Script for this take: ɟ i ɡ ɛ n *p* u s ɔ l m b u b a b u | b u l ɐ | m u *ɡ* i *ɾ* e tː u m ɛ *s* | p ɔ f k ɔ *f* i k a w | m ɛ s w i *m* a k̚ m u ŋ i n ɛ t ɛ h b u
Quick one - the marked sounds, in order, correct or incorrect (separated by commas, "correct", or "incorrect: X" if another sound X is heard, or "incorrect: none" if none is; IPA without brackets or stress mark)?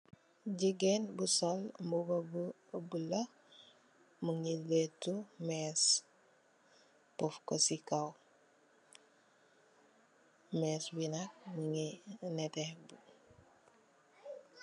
incorrect: b, incorrect: ŋ, incorrect: l, correct, incorrect: s, incorrect: n